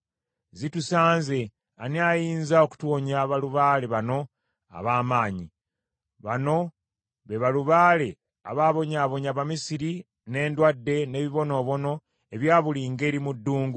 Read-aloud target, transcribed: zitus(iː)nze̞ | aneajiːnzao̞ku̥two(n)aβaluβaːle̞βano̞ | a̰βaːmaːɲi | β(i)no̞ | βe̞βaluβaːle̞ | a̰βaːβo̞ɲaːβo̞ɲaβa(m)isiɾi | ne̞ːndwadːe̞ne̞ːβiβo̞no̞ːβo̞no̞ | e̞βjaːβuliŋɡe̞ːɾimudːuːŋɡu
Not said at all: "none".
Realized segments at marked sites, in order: aː, ɲ, a, m

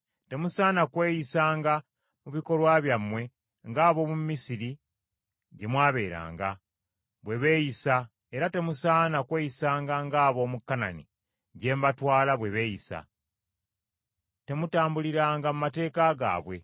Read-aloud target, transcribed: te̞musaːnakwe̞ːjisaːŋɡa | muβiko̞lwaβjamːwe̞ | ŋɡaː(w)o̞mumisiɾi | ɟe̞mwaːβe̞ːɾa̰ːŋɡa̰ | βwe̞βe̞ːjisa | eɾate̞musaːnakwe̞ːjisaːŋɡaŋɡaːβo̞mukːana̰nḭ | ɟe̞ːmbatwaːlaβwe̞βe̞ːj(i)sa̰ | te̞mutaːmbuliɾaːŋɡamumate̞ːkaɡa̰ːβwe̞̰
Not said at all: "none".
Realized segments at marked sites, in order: β, i

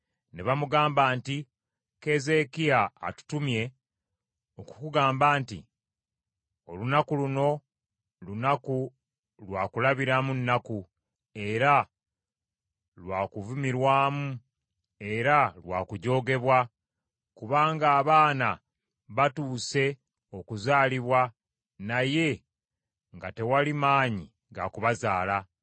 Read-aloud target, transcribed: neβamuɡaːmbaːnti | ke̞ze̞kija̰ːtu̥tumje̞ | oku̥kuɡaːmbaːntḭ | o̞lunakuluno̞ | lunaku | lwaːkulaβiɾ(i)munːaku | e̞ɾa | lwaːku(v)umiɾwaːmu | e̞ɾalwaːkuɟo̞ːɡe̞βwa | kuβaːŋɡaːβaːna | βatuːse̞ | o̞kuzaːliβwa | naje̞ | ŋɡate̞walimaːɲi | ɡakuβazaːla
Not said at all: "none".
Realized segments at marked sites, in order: a, v

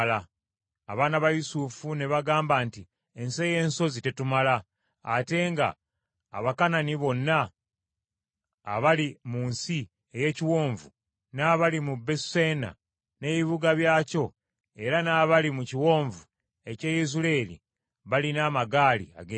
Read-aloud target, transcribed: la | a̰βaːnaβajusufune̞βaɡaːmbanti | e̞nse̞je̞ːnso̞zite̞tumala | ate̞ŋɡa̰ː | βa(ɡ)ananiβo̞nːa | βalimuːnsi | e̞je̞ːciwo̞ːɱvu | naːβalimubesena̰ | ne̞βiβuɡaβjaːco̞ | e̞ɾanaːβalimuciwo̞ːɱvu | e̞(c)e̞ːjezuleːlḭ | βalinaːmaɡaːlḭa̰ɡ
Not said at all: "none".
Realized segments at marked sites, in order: k, c

